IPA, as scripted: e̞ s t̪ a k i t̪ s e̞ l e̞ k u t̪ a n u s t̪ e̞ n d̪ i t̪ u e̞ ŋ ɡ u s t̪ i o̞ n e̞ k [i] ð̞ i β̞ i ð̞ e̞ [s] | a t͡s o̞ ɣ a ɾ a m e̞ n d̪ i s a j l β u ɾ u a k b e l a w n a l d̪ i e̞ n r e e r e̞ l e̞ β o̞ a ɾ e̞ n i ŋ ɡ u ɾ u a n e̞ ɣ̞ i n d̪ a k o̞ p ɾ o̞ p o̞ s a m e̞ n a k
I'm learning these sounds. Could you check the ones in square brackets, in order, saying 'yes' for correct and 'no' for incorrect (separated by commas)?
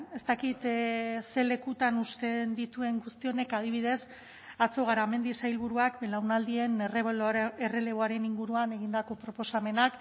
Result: no, yes